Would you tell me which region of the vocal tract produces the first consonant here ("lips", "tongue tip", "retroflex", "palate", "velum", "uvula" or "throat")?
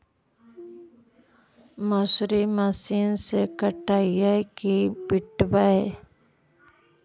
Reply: lips